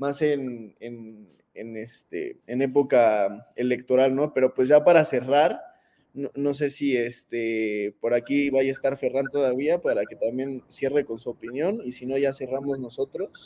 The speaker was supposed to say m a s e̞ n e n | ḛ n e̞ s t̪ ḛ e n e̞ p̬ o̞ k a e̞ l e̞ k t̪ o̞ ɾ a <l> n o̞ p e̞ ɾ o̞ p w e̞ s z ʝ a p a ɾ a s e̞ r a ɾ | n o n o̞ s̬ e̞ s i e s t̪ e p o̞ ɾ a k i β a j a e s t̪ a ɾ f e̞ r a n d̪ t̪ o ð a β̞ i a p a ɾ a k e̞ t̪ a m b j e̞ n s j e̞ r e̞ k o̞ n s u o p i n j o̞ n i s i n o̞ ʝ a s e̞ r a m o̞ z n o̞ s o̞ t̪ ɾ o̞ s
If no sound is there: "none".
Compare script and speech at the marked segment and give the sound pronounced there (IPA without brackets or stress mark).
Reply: l